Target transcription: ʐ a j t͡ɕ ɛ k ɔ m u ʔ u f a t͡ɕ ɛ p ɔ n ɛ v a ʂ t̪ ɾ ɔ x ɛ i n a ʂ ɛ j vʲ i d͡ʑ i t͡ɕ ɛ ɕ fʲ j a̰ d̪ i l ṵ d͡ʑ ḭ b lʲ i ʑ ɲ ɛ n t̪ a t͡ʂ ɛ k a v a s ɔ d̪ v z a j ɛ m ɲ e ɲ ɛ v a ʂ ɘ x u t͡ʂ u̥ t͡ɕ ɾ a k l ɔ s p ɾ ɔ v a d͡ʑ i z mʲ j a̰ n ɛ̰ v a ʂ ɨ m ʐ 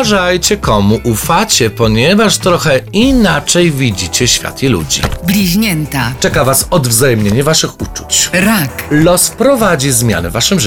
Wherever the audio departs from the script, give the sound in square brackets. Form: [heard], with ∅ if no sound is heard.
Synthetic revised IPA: ʐ a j t͡ɕ ɛ k ɔ m u ʔ u f a t͡ɕ ɛ p ɔ [ɲ] ɛ v a ʂ t̪ ɾ ɔ x ɛ i n a [t͡ʂ] ɛ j vʲ i d͡ʑ i t͡ɕ ɛ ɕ fʲ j a̰ [t̪] i l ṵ d͡ʑ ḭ b lʲ i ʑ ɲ ɛ n t̪ a t͡ʂ ɛ k a v a s ɔ d̪ v z a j ɛ m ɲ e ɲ ɛ v a ʂ ɘ x u t͡ʂ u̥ t͡ɕ ɾ a k l ɔ s p ɾ ɔ v a d͡ʑ i z mʲ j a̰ n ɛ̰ v a ʂ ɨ m ʐ